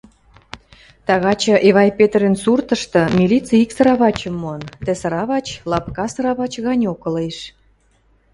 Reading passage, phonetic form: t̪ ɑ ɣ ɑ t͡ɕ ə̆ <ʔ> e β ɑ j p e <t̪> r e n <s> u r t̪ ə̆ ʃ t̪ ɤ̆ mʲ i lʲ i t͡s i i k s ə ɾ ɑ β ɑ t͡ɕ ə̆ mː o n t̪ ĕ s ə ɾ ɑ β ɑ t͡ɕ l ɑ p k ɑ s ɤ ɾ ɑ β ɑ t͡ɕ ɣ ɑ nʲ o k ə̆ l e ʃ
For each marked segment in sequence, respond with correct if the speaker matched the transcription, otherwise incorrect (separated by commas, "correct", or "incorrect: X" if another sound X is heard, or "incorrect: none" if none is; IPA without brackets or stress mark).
correct, correct, correct